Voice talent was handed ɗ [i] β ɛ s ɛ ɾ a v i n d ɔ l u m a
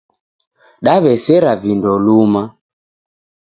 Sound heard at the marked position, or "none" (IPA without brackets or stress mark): a